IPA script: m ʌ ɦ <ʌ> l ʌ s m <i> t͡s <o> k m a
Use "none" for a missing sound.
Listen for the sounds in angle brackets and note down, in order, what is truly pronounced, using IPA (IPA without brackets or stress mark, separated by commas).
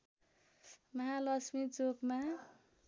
a, i, o